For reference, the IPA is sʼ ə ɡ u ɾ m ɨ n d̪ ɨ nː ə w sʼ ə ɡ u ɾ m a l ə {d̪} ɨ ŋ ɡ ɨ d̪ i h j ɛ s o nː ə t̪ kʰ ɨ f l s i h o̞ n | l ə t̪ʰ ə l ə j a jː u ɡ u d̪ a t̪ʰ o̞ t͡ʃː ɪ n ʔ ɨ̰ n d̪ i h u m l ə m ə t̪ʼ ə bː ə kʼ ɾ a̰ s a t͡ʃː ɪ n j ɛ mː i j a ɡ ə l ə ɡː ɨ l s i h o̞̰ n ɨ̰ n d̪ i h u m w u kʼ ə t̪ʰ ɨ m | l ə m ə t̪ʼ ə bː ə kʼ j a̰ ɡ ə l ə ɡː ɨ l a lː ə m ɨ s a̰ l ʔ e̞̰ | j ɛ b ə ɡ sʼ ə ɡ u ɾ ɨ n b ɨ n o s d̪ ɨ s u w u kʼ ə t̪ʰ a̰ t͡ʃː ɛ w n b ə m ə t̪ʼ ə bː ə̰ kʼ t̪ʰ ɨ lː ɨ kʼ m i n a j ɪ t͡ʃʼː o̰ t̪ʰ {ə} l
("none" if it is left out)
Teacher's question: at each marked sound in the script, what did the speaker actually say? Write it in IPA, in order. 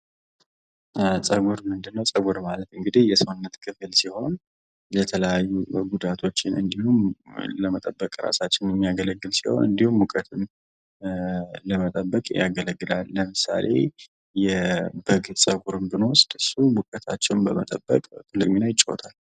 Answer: t̪, a

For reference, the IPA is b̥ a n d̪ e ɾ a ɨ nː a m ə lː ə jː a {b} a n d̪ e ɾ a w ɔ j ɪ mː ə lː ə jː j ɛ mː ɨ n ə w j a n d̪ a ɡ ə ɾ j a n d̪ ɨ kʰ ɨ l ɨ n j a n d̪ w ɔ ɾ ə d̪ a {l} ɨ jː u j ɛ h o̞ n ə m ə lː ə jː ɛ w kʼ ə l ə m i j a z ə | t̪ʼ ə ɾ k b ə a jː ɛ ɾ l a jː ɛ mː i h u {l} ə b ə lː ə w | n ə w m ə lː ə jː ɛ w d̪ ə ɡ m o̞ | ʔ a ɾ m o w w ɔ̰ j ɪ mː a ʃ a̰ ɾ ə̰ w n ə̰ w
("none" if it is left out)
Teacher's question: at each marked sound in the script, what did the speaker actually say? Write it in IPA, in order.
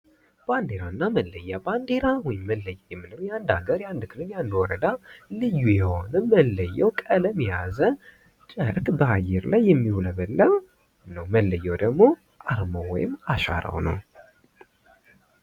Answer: b, l, l

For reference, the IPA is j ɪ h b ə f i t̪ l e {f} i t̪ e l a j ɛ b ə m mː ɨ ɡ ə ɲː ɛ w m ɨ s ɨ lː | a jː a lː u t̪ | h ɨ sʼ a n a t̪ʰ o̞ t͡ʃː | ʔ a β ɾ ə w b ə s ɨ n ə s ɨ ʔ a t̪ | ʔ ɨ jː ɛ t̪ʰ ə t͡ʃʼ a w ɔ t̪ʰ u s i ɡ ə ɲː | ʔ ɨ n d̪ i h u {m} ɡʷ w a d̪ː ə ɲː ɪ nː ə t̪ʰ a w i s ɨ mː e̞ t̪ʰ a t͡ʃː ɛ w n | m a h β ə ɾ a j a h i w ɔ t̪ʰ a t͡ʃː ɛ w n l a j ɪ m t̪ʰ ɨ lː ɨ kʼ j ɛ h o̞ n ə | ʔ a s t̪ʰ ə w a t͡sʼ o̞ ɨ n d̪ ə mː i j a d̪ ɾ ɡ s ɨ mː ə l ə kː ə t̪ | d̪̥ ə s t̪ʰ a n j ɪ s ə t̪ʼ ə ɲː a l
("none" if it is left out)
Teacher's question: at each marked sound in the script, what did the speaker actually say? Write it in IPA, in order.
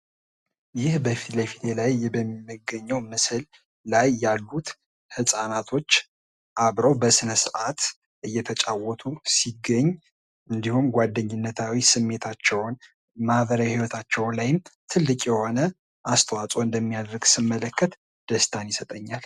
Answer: f, m

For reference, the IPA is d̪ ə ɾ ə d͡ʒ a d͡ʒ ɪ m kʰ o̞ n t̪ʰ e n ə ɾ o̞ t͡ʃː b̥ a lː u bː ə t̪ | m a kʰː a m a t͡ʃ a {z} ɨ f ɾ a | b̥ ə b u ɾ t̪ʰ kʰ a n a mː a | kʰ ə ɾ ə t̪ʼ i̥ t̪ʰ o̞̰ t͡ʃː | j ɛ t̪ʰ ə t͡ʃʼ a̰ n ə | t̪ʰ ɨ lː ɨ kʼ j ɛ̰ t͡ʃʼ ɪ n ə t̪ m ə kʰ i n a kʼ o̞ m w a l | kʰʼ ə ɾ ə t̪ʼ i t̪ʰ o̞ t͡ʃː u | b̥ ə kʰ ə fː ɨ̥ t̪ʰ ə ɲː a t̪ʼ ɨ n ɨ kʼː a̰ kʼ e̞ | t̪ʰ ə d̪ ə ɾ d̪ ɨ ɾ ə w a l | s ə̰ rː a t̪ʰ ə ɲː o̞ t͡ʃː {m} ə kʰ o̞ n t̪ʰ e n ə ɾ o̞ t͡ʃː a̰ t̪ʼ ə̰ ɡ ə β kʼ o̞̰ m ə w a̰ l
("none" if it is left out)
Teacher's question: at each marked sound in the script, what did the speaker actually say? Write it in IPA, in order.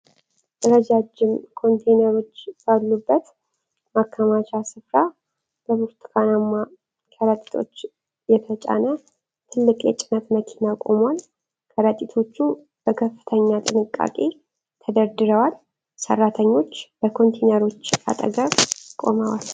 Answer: s, b

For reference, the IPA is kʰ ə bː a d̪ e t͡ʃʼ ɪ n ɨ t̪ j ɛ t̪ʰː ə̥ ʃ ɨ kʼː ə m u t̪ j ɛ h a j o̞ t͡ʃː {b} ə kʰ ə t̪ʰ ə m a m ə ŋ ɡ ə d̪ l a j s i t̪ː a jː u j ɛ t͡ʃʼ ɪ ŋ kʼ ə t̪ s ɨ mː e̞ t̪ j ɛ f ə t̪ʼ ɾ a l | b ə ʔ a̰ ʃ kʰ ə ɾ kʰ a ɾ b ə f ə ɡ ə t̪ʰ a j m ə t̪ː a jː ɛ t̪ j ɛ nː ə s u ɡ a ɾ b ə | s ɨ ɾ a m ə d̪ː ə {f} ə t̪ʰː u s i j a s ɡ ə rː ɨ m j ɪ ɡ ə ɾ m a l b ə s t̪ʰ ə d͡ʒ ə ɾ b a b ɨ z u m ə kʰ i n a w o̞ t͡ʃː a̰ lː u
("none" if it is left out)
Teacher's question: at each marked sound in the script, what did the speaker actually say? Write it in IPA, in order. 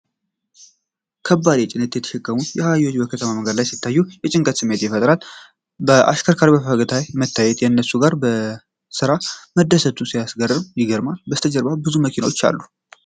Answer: b, s

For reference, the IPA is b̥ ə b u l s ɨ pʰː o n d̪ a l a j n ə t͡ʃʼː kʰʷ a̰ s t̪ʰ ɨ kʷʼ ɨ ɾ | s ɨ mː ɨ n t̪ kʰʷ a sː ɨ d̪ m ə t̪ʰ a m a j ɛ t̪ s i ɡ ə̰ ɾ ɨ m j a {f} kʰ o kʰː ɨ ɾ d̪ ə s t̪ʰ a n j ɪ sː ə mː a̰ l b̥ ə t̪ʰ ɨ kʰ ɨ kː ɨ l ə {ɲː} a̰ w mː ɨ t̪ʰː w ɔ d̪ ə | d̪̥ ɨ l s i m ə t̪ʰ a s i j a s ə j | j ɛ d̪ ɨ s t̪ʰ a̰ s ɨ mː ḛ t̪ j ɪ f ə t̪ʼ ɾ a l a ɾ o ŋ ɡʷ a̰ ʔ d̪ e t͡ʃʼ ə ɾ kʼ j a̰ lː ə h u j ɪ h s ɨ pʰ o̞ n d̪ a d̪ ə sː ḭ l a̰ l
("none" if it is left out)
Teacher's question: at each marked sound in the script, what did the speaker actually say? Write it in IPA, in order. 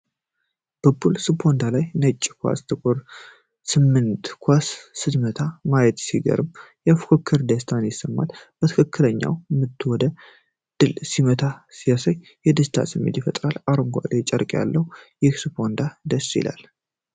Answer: f, ɲː

